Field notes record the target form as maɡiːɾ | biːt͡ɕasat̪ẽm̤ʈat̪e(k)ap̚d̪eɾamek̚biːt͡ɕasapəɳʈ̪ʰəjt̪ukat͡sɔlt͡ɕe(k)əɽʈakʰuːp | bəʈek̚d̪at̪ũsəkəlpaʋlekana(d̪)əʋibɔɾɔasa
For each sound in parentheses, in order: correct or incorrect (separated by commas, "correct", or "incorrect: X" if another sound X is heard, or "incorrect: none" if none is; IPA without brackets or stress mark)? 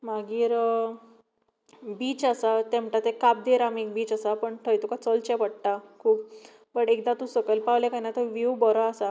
correct, incorrect: p, incorrect: t̪